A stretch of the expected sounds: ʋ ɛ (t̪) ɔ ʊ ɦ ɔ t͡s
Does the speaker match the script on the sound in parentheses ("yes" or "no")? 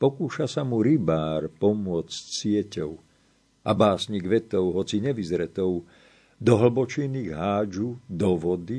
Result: yes